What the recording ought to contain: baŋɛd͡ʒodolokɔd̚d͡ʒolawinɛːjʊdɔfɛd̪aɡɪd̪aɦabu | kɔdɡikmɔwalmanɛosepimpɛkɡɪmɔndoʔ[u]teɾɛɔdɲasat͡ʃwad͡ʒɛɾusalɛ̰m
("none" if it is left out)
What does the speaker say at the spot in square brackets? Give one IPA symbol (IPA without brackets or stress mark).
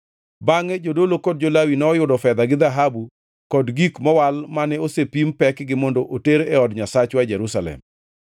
o